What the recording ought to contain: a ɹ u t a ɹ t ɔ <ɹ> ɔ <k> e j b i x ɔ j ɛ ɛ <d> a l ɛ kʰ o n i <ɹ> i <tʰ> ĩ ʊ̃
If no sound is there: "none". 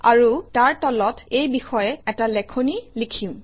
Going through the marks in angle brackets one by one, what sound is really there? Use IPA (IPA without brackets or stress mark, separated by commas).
l, t, t, l, kʰ